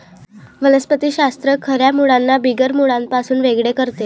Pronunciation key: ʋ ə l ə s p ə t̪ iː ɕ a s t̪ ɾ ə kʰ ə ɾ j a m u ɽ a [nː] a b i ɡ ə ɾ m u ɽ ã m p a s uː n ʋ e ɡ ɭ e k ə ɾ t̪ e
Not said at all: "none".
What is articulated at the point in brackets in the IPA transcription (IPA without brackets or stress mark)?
nː